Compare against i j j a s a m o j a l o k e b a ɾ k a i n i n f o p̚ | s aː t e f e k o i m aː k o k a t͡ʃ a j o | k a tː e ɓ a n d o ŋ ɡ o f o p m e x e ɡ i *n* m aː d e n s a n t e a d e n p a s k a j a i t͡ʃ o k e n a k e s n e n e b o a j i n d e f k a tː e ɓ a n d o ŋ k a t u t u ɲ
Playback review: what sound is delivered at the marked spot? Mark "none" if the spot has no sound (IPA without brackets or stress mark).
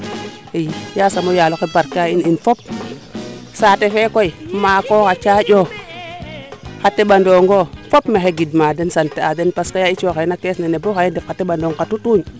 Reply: d